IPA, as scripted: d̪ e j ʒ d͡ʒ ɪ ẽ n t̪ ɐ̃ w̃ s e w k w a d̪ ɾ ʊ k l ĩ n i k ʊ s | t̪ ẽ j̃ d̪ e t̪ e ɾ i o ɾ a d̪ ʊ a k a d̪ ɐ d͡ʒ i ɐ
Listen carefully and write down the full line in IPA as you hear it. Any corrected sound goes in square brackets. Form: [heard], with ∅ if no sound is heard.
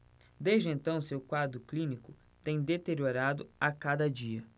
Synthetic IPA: d̪ e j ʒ d͡ʒ ɪ ẽ n t̪ ɐ̃ w̃ s e w k w a d̪ ɾ ʊ k l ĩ n i k ʊ [∅] | t̪ ẽ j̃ d̪ e t̪ e ɾ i o ɾ a d̪ ʊ a k a d̪ ɐ d͡ʒ i ɐ